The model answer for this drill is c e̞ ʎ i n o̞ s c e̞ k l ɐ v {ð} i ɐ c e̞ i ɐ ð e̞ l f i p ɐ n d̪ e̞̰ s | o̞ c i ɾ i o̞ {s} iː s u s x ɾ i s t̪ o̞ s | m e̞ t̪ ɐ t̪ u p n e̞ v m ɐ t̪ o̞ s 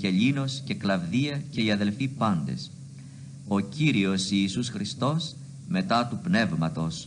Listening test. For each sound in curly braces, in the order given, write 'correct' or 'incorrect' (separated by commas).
correct, correct